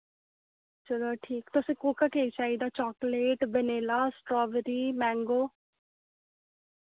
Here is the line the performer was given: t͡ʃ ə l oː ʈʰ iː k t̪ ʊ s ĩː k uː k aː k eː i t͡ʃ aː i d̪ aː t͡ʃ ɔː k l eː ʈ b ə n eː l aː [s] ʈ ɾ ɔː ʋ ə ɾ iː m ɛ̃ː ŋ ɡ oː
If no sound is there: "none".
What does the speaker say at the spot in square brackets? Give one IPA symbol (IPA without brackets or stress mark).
s